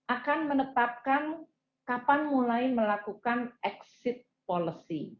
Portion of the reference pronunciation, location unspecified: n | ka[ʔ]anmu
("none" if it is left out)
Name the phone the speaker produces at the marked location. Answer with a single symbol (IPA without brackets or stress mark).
p